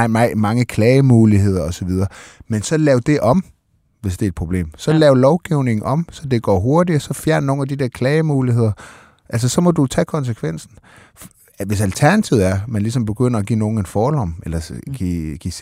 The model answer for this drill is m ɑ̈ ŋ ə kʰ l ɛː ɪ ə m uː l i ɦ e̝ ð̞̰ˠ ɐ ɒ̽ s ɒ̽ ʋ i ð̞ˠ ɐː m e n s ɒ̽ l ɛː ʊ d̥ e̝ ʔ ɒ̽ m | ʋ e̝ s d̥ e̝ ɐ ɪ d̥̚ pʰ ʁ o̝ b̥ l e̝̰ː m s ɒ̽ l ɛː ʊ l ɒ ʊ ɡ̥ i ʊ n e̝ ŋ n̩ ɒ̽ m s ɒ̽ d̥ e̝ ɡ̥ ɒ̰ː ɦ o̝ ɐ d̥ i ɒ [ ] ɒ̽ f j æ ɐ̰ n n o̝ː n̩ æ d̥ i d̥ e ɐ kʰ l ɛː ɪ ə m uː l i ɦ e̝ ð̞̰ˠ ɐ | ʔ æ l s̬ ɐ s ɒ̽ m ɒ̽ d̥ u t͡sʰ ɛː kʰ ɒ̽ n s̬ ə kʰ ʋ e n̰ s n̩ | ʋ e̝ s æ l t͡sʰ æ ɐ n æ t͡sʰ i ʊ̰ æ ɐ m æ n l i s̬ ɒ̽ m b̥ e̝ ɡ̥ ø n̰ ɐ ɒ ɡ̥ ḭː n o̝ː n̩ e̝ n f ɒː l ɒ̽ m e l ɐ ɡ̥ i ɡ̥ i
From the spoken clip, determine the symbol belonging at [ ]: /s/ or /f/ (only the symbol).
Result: s